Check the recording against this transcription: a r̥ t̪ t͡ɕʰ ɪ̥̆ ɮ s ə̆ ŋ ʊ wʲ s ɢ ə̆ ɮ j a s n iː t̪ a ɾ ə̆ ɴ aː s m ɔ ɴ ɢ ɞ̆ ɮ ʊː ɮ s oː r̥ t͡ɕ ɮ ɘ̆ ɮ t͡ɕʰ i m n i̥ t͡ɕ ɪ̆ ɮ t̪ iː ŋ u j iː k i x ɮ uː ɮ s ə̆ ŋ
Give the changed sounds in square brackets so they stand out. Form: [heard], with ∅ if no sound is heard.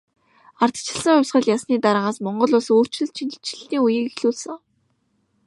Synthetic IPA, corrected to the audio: a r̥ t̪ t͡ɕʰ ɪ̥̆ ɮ s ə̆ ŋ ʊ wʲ s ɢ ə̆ ɮ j a s n iː t̪ a ɾ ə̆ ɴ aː s m ɔ ɴ ɢ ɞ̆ ɮ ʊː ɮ s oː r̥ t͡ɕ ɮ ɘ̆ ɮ t͡ɕʰ i [∅] n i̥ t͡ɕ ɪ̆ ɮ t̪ iː ŋ u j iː k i x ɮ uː ɮ s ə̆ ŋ